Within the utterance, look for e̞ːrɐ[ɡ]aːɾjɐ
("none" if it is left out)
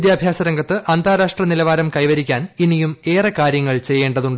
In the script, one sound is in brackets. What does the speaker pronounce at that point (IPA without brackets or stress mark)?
k